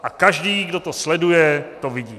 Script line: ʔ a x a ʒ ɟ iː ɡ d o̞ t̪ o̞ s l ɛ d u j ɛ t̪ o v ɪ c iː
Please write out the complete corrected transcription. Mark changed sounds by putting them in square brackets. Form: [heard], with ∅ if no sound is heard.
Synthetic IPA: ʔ a [k] a ʒ [d] iː ɡ d o̞ t̪ o̞ s l ɛ d u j ɛ t̪ o v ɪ [ɟ] iː

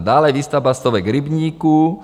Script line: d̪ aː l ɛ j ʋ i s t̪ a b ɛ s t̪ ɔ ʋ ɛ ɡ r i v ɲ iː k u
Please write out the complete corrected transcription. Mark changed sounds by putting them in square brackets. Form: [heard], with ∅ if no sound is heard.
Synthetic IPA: d̪ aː l ɛ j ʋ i s t̪ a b [a] s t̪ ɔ ʋ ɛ ɡ [ɾ] i [b] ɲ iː k u

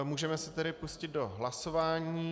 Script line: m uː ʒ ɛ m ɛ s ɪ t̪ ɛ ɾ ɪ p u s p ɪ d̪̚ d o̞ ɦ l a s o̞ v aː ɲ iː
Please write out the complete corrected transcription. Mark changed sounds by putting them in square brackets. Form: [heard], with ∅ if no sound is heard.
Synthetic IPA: m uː ʒ ɛ m ɛ s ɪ t̪ ɛ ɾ ɪ p u s [c] ɪ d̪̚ d o̞ ɦ l a s o̞ v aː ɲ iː

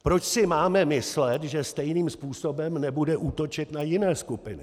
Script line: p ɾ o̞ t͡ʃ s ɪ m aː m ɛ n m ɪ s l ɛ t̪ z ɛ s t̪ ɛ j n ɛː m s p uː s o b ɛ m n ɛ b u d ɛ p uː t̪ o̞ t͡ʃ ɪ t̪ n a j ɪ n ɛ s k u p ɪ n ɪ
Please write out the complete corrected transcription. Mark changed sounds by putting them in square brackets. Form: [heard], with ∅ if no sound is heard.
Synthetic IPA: p ɾ o̞ t͡ʃ s ɪ m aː m ɛ [∅] m ɪ s l ɛ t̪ [ʒ] ɛ s t̪ ɛ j n [iː] m s p uː s o b ɛ m n ɛ b u d ɛ [ʔ] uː t̪ o̞ t͡ʃ ɪ t̪ n a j ɪ n [ɛː] s k u p ɪ n ɪ

